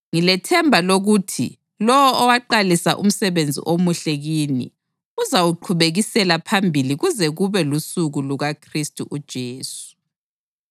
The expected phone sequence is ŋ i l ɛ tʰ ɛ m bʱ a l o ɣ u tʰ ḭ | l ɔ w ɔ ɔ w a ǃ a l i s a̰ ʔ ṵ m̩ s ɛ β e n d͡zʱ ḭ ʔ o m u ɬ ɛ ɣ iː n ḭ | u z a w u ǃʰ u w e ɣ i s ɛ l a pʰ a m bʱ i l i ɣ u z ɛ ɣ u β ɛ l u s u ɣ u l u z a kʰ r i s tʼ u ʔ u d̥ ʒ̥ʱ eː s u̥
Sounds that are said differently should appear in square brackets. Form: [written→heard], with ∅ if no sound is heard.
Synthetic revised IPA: ŋ i l ɛ tʰ ɛ m bʱ a l o ɣ u tʰ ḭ | l ɔ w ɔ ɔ w a ǃ a l i s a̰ ʔ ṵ m̩ s ɛ β e n d͡zʱ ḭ ʔ o m u ɬ ɛ ɣ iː n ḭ | u z a w u ǃʰ u [w→β] e ɣ i s ɛ l a pʰ a m bʱ i l i ɣ u z ɛ ɣ u β ɛ l u s u ɣ u l u [z→ɣ] a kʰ r i s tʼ u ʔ u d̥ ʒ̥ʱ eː s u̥